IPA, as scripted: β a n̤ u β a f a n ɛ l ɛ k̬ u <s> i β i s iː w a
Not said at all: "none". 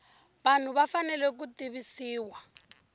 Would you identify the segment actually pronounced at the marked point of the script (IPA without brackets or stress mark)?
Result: t